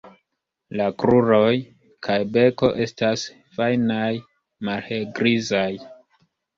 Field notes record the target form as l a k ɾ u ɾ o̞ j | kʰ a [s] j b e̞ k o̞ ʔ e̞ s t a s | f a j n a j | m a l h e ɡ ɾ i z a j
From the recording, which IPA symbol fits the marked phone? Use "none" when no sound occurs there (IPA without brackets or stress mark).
none